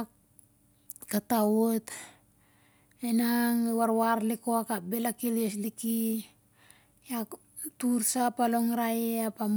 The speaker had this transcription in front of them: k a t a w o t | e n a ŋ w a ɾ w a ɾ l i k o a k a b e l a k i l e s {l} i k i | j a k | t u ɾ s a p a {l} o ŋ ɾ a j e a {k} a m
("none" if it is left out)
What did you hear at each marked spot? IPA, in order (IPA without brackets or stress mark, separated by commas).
l, l, p